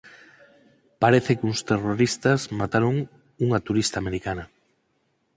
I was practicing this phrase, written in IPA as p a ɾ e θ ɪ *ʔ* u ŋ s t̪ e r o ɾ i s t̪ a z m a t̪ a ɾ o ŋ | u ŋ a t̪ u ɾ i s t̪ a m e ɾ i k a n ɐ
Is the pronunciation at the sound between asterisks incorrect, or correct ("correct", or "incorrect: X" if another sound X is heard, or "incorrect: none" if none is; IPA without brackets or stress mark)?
incorrect: k